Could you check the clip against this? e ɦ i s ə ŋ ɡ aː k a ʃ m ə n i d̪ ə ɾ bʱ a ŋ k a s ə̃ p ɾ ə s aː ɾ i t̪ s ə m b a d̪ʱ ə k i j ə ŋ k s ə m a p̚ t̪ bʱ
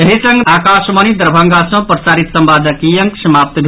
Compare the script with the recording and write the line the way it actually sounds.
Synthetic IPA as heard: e ɦ i s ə ŋ ɡ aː k a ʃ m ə n i d̪ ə ɾ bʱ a ŋ ɡ a s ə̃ p ɾ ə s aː ɾ i t̪ s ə m b a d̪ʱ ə k i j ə ŋ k s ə m a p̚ t̪ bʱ